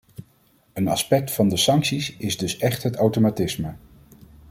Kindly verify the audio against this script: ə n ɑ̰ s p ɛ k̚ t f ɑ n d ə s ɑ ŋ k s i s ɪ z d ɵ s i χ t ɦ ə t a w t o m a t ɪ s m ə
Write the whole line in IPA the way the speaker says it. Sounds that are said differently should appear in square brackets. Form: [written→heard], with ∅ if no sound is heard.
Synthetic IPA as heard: ə n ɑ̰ s p ɛ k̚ t f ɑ n d ə s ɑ ŋ k s i s ɪ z d ɵ s [i→ɛ] χ t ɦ ə t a w t o m a t ɪ s m ə